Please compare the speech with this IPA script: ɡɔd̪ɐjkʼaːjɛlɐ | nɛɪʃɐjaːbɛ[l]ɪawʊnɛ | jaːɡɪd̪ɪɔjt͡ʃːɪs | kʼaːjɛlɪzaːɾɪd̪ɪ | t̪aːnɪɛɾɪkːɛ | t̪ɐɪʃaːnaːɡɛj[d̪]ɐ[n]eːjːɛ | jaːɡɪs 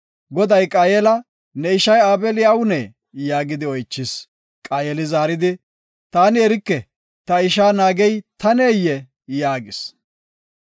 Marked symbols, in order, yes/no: yes, no, yes

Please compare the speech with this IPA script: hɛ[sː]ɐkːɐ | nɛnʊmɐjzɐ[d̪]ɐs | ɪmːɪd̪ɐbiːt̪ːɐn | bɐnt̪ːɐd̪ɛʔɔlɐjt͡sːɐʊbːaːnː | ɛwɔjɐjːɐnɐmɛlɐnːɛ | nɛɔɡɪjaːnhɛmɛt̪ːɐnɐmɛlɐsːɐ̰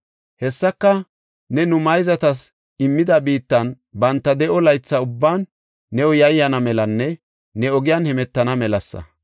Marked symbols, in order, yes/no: yes, no

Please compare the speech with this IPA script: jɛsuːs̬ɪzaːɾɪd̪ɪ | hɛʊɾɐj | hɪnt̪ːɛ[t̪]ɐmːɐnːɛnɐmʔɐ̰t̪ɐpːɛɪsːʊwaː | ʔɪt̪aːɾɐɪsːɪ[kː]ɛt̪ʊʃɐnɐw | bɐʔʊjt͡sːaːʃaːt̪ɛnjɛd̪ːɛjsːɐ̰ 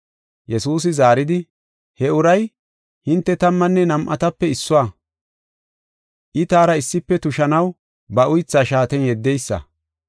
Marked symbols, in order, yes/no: yes, no

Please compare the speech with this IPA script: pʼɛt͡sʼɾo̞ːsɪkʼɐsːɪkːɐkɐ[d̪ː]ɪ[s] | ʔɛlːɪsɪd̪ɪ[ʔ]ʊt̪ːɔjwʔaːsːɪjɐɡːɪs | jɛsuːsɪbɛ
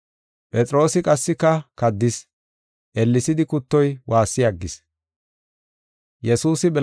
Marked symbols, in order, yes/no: yes, yes, no

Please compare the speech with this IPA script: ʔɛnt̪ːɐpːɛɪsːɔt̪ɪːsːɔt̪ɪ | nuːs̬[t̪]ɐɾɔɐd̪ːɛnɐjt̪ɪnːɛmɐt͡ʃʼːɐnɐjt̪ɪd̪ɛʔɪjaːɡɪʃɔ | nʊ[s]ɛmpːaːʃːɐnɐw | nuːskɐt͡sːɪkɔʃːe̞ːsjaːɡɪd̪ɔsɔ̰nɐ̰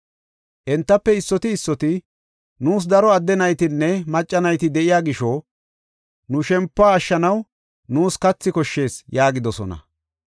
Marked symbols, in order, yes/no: no, no

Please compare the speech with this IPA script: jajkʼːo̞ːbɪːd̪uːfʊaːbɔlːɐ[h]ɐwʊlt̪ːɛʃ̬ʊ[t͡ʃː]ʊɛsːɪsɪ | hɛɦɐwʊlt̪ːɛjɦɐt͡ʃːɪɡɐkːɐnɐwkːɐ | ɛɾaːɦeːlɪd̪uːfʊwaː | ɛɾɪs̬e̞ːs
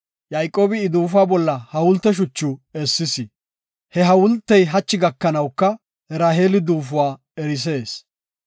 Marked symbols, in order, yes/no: yes, yes

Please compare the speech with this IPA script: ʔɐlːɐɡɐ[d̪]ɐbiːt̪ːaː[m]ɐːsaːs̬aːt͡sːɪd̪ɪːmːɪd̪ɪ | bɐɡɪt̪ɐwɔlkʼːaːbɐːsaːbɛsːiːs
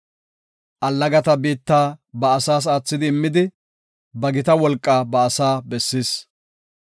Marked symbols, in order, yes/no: no, no

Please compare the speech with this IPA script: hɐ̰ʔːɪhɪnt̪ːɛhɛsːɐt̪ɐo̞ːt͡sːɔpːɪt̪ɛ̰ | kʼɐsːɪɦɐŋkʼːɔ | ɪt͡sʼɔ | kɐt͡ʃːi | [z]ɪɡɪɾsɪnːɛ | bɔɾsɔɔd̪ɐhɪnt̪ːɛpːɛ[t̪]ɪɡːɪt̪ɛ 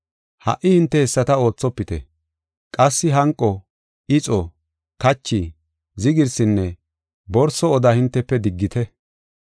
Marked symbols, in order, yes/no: yes, no

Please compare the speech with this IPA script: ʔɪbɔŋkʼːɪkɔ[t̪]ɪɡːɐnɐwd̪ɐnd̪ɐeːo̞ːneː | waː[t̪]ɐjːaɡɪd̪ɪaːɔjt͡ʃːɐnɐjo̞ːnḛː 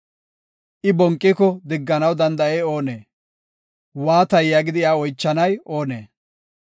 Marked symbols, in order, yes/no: no, yes

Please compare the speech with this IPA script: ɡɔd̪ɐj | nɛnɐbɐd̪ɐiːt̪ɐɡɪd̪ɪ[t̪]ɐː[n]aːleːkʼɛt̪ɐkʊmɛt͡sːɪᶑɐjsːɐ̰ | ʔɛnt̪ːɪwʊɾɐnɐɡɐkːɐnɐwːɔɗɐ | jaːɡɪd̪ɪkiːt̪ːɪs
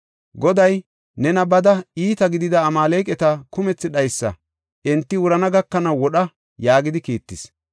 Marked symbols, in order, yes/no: no, no

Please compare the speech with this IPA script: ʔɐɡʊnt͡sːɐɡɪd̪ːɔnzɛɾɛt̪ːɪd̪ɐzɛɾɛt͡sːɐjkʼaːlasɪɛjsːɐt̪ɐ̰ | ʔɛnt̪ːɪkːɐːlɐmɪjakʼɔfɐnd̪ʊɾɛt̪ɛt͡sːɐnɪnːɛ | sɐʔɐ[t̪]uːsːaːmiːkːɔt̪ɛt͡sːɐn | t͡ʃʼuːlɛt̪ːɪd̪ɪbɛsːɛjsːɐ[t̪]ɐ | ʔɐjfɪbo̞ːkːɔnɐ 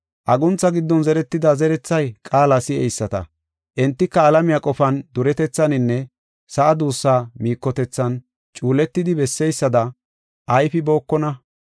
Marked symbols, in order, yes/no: no, no

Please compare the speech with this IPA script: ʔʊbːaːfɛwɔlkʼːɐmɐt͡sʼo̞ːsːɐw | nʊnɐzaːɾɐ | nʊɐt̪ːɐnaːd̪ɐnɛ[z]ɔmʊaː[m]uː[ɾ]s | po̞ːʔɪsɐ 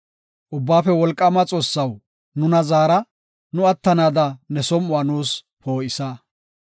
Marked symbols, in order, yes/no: no, no, no

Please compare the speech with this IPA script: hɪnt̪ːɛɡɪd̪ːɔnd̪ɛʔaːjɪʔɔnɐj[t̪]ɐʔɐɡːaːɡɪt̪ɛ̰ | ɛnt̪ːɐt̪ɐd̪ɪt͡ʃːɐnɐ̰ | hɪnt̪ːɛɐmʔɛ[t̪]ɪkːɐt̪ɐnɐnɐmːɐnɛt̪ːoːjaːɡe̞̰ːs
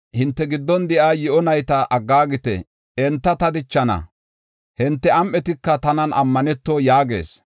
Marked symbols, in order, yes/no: yes, yes

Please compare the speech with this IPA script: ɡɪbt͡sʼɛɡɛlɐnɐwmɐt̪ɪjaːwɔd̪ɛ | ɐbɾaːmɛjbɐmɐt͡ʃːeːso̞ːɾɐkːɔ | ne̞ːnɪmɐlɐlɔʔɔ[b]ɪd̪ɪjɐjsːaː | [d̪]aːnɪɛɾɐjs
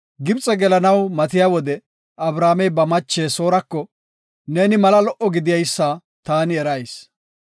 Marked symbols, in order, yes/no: no, no

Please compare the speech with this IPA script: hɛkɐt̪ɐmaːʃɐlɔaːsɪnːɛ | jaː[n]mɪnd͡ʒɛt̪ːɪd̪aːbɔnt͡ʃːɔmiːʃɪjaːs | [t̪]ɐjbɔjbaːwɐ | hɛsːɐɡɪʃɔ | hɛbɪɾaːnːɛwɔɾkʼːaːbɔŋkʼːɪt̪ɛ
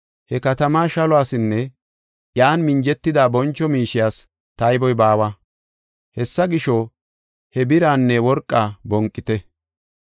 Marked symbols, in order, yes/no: yes, yes

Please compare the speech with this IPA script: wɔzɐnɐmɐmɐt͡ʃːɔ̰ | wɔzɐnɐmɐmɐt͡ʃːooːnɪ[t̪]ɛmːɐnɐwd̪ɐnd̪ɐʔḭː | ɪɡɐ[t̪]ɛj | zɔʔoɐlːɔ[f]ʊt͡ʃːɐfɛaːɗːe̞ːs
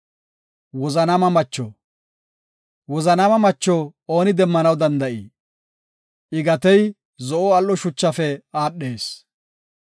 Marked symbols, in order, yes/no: no, yes, no

